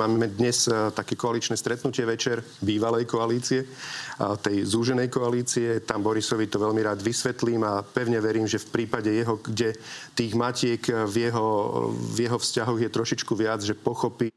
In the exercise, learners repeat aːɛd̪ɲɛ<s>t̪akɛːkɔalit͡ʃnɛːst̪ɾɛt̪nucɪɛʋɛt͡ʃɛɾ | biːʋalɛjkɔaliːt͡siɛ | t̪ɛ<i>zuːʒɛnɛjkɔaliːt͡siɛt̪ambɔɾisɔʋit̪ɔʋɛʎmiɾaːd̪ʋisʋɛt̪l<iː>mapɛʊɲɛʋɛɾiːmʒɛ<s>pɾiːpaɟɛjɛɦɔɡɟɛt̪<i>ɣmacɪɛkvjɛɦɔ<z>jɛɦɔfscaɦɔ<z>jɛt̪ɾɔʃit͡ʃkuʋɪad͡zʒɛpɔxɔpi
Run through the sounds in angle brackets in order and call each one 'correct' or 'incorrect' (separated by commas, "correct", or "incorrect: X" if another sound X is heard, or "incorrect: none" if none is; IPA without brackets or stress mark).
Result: correct, incorrect: j, correct, incorrect: f, incorrect: iː, incorrect: v, incorrect: ɣ